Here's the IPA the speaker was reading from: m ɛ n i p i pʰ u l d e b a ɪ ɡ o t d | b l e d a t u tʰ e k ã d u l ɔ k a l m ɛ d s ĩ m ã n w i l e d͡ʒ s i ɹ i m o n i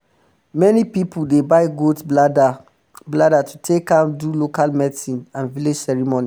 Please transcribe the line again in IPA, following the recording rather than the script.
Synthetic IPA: m ɛ n i p i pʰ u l d e b a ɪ ɡ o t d | b l a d a t u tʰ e k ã d u l o k a l m ɛ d s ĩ n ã n v i l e d͡ʒ s ɛ ɹ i m o n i